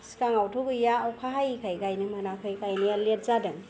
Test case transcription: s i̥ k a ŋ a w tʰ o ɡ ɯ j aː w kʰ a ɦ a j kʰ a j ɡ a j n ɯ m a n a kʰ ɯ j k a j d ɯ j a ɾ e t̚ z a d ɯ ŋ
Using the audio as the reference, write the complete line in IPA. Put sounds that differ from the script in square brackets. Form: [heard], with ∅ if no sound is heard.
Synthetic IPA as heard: s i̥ k a ŋ a w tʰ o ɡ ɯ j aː w kʰ a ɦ a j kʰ a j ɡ a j n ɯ m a n a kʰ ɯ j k a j [n] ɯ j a [l] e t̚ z a d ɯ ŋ